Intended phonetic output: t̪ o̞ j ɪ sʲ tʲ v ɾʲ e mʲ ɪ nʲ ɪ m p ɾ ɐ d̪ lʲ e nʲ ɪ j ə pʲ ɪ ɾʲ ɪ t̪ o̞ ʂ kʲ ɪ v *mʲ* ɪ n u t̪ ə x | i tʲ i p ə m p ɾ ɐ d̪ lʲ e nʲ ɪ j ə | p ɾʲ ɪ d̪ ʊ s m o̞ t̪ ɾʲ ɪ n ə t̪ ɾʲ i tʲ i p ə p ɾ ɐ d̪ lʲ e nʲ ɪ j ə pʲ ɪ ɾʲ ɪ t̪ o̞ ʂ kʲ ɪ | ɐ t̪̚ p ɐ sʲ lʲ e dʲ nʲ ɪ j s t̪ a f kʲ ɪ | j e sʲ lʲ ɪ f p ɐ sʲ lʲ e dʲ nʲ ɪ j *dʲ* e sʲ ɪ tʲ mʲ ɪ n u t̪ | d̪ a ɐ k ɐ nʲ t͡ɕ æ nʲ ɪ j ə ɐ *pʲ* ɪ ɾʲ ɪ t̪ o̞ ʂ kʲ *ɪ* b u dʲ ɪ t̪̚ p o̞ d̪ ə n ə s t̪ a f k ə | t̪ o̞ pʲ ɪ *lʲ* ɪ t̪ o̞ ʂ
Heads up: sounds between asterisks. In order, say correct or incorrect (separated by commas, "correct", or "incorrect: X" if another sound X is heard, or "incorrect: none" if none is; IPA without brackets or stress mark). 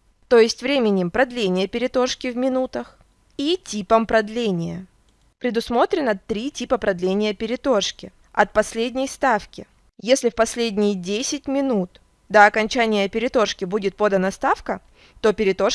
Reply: correct, correct, correct, correct, incorrect: ɾʲ